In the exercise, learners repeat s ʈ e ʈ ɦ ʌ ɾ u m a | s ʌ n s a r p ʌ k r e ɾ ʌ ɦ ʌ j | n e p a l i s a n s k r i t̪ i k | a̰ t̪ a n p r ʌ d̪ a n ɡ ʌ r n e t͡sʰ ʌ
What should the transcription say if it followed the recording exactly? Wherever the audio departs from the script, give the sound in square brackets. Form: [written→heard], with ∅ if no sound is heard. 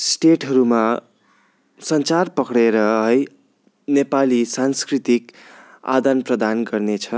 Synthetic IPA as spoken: s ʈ e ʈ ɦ ʌ ɾ u m a | s ʌ n [s→t͡s] a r p ʌ k [r→ɽ] e ɾ ʌ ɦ ʌ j | n e p a l i s a n s k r i t̪ i k | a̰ [t̪→d̪] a n p r ʌ d̪ a n ɡ ʌ r n e t͡sʰ ʌ